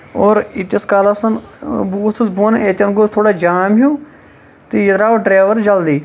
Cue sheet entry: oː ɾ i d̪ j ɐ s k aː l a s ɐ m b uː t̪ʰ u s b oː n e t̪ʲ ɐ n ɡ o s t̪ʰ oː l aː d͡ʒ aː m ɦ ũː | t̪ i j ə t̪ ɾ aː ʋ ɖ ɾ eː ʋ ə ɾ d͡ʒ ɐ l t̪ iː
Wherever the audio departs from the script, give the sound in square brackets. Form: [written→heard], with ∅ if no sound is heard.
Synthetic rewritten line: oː ɾ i [d̪→t̪] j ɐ s k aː l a s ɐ [m→n] b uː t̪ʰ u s b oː n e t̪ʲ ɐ n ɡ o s t̪ʰ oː [l→ɽ] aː d͡ʒ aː m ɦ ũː | t̪ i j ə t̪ ɾ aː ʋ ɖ ɾ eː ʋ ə ɾ d͡ʒ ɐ l [t̪→d̪] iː